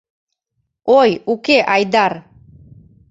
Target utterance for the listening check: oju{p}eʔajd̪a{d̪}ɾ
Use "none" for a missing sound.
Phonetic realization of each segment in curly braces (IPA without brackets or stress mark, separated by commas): k, none